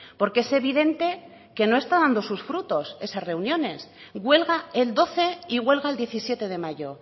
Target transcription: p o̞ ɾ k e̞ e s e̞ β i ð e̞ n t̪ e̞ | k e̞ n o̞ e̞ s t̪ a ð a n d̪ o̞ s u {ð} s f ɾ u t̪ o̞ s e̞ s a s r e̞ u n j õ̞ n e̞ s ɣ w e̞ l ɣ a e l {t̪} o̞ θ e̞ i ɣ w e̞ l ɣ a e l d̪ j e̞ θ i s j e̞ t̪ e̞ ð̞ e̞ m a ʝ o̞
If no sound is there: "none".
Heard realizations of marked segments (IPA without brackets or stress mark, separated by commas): none, d̪